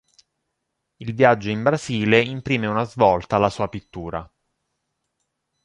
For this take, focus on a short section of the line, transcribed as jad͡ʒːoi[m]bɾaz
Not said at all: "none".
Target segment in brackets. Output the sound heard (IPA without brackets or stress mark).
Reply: m